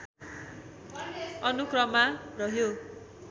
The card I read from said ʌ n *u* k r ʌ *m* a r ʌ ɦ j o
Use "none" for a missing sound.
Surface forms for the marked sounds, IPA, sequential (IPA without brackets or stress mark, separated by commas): u, m